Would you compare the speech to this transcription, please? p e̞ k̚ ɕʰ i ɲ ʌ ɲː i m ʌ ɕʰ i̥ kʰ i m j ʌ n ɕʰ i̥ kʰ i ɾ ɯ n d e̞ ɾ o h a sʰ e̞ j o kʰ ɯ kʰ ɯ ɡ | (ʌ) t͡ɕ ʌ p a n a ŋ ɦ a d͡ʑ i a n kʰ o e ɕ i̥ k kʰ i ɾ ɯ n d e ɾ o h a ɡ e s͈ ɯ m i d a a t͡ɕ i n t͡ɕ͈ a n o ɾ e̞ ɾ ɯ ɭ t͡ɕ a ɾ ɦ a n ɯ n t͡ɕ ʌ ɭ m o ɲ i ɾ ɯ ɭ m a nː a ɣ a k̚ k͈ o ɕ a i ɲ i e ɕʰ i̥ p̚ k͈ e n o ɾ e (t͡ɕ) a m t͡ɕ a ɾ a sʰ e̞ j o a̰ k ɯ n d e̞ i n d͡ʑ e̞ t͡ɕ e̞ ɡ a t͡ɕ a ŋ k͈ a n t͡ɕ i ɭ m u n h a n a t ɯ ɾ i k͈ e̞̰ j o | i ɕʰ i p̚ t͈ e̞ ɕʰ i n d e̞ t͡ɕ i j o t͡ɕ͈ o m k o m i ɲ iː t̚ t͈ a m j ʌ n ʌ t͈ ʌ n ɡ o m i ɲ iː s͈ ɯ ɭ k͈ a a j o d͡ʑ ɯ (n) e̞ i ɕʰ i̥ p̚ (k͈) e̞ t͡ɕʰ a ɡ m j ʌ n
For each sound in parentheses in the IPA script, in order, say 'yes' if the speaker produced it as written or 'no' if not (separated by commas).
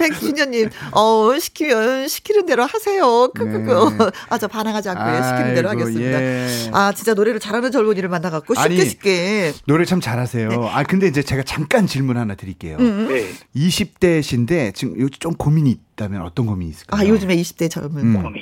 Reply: no, no, no, no